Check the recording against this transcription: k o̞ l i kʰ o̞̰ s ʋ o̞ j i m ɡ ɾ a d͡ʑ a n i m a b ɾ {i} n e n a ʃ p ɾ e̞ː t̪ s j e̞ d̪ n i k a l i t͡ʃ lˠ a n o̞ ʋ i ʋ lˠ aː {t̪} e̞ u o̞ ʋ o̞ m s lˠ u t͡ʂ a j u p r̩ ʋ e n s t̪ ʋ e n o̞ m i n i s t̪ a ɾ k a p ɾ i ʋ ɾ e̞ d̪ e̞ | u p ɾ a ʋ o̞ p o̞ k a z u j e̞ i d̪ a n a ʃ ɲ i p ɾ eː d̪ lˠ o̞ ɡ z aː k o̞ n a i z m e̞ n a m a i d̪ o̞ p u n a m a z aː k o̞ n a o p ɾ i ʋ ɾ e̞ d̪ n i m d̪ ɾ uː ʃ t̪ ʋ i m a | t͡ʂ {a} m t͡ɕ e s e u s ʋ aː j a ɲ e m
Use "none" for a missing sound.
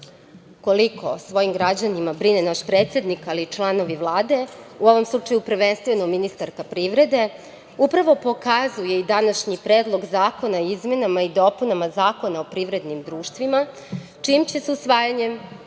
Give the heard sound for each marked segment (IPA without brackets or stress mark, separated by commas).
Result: i, d̪, i